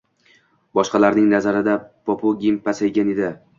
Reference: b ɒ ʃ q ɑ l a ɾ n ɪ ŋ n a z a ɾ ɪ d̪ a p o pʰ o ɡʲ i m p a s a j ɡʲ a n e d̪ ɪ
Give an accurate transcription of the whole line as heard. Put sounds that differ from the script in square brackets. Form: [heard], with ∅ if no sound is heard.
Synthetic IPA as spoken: b ɒ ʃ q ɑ l a ɾ n ɪ ŋ n a z a ɾ ɪ d̪ a p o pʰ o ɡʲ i m p a s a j ɡʲ a n e d̪ ɪ